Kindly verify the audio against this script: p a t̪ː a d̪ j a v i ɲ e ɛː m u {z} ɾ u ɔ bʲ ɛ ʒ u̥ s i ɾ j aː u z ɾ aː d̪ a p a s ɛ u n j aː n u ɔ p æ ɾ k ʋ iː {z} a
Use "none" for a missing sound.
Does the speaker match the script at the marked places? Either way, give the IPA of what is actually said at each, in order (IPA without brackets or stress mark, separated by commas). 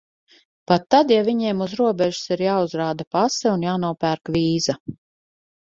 z, z